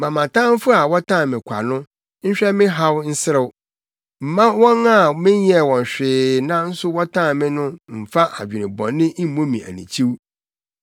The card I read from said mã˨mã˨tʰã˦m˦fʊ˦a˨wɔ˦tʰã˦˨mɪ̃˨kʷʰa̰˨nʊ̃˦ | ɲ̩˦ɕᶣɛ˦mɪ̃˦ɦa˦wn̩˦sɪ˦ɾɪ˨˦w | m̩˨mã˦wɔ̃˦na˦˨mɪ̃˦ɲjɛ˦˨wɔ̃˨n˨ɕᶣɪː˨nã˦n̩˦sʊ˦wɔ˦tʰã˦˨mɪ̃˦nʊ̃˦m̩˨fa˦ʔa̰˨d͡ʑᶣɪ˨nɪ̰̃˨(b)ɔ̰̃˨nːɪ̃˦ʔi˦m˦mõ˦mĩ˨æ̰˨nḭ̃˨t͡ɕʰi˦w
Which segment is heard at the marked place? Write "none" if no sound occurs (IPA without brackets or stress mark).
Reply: b